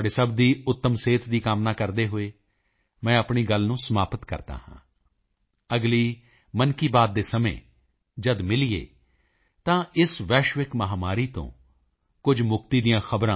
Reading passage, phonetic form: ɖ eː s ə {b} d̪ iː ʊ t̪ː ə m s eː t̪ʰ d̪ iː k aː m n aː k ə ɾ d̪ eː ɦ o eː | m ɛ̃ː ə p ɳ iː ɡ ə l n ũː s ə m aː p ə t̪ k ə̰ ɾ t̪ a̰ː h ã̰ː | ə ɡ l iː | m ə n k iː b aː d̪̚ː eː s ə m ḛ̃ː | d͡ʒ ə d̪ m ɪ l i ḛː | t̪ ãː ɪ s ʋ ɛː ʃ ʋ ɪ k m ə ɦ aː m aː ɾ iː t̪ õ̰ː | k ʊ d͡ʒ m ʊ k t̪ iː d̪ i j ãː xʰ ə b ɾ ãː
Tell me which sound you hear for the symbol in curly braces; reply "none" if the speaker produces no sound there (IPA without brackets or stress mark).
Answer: b